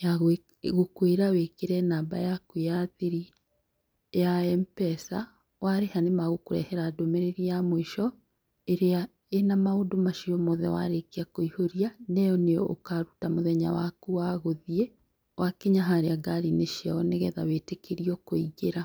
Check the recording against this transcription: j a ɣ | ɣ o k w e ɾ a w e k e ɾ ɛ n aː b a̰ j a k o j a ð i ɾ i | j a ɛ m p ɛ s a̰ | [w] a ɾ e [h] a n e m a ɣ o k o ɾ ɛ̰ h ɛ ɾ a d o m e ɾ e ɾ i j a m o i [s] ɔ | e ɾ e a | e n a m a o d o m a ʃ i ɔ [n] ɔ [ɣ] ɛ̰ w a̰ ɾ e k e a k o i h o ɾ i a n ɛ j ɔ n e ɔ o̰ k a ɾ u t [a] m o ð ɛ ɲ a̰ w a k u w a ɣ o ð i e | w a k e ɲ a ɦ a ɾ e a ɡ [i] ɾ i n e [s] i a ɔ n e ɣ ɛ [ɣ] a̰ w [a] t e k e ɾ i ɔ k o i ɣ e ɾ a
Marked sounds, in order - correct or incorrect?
correct, correct, incorrect, incorrect, incorrect, correct, incorrect, incorrect, incorrect, incorrect

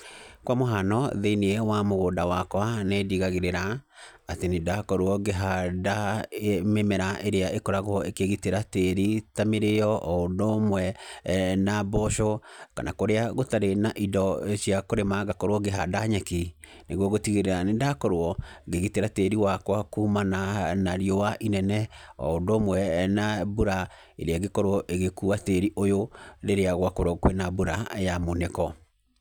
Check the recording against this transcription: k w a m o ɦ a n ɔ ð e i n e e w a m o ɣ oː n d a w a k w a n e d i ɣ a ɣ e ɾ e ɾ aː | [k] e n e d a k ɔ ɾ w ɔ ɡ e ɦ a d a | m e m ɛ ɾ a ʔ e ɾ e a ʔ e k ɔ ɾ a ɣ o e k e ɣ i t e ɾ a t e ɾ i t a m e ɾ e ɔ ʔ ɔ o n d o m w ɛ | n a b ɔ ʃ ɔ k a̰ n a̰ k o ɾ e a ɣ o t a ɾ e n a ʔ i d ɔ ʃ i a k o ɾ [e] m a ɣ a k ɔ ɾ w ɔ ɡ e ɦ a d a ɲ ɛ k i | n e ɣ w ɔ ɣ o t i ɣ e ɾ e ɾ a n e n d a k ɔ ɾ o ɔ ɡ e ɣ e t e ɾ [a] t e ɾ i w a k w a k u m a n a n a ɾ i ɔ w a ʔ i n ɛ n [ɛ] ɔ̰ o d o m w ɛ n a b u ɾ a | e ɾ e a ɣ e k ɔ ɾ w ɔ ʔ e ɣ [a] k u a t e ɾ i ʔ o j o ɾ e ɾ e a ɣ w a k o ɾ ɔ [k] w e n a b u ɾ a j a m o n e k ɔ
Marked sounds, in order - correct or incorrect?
incorrect, correct, correct, correct, incorrect, correct

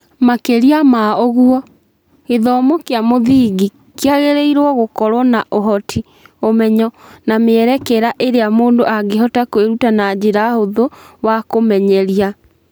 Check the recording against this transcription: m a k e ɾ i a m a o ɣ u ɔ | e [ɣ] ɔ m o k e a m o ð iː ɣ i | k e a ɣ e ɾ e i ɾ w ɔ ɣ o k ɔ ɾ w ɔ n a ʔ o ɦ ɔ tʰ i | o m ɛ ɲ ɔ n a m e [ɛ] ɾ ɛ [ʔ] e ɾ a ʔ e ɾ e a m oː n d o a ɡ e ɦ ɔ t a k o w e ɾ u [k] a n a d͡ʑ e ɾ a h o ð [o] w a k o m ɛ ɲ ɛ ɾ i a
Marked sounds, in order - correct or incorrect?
incorrect, correct, incorrect, incorrect, correct

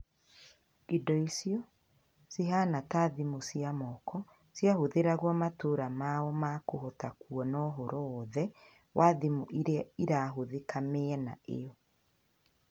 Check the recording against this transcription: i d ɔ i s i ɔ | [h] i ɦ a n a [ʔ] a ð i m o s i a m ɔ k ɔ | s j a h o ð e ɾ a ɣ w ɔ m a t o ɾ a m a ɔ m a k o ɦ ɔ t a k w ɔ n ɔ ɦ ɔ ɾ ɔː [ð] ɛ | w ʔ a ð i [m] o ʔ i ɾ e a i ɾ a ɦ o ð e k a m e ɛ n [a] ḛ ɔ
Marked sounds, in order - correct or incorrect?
incorrect, incorrect, correct, correct, correct

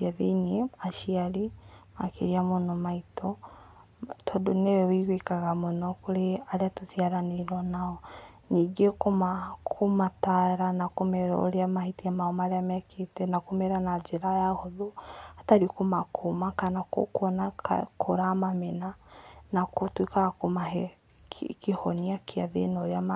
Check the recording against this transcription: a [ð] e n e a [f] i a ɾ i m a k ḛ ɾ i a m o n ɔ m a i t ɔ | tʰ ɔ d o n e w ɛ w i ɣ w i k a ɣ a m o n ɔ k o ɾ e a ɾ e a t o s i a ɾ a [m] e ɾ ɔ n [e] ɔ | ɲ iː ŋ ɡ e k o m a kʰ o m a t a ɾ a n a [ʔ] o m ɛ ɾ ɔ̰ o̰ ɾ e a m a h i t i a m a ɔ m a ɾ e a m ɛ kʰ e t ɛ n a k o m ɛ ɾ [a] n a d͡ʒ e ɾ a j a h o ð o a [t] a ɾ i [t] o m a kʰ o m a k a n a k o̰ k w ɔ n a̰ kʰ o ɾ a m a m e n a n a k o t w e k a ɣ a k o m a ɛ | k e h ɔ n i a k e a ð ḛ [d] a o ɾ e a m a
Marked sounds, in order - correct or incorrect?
correct, incorrect, incorrect, incorrect, incorrect, correct, correct, incorrect, incorrect

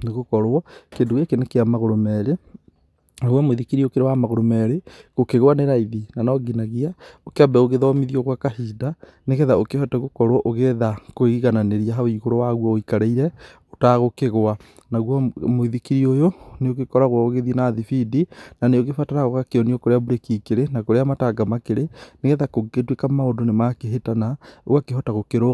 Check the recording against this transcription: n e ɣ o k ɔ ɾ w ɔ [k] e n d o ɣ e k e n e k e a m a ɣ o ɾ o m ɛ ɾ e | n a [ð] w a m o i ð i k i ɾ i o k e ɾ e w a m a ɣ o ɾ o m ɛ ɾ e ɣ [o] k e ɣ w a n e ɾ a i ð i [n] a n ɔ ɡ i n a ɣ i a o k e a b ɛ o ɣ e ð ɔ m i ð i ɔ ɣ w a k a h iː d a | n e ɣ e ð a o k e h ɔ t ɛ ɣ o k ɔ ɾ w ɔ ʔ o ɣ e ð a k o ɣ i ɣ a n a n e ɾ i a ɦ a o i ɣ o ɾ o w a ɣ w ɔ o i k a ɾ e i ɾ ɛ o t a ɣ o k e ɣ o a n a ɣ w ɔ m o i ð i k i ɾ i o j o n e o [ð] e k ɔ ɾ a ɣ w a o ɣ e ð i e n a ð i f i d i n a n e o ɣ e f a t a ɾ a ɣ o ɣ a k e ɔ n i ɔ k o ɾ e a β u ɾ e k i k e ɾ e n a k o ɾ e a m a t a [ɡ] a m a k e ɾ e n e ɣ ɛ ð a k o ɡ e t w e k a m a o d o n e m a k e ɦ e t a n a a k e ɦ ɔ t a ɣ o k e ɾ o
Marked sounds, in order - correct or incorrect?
correct, incorrect, correct, correct, incorrect, correct

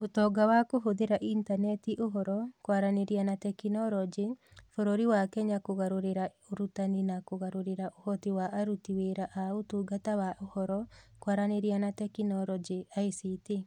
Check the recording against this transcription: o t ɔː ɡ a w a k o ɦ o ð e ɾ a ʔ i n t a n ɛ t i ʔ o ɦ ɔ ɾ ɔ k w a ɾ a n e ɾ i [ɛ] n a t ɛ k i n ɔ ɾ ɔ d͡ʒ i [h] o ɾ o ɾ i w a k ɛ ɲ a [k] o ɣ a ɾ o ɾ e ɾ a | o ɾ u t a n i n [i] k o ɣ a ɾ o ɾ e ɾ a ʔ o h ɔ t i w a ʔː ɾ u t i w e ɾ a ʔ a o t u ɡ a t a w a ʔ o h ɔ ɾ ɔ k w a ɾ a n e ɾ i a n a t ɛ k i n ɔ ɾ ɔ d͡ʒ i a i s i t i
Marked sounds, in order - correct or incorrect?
incorrect, incorrect, correct, incorrect

